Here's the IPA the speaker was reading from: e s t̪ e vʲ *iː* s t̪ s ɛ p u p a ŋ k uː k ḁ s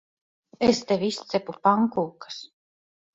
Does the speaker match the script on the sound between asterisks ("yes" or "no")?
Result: no